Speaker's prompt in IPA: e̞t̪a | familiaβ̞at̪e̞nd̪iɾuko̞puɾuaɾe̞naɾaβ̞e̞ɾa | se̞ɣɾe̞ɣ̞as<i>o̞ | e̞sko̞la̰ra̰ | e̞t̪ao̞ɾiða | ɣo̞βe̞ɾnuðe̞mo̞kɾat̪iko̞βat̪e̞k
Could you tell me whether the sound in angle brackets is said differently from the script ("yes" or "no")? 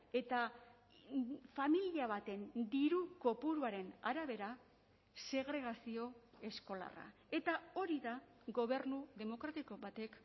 no